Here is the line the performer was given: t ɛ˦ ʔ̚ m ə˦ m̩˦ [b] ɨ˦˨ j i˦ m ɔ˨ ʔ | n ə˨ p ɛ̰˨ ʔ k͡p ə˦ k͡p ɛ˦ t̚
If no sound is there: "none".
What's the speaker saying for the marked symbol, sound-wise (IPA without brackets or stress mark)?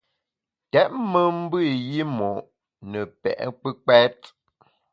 b